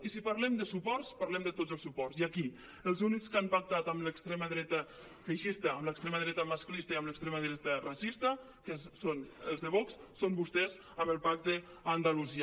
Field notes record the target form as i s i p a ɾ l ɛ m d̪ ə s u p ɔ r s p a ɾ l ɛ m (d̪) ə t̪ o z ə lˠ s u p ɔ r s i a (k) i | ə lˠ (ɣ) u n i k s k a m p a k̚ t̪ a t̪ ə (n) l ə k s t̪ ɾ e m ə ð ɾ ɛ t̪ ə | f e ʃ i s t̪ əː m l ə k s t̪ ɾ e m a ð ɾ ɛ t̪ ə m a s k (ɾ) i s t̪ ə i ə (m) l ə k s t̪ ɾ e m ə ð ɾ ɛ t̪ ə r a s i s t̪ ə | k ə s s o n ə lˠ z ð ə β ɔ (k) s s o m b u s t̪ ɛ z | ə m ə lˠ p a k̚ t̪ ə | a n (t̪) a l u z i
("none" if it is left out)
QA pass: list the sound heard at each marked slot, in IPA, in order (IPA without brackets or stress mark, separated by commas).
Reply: d̪, k, z, m, l, m, k, d̪